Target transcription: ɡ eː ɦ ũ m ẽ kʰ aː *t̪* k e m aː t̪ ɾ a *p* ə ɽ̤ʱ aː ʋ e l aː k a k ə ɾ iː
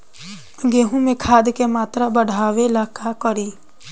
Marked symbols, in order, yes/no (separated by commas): no, no